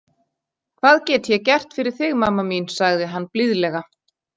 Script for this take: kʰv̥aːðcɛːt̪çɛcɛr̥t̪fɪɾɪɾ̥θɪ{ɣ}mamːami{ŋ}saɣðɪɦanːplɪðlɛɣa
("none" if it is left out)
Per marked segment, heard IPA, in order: ɣ, n

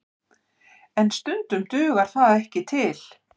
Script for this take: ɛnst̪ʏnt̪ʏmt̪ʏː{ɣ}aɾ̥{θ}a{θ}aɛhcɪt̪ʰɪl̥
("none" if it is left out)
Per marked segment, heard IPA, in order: ɣ, θ, ð

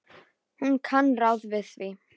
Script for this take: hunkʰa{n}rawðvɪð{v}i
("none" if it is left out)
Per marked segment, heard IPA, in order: n, v

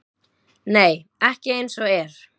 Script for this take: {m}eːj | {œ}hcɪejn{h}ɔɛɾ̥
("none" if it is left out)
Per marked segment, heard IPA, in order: n, ɛ, s

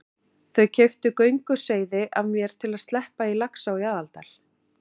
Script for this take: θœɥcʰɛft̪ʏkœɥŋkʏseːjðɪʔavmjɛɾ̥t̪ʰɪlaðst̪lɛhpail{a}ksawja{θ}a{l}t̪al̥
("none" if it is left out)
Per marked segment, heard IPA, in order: a, ð, l

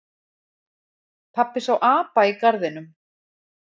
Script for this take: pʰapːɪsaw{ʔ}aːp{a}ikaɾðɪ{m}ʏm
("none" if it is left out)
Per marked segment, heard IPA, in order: ʔ, a, n

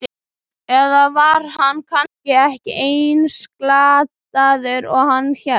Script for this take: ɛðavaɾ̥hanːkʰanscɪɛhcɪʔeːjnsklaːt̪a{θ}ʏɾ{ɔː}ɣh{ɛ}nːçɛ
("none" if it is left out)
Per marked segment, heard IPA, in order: ð, ɔ, a

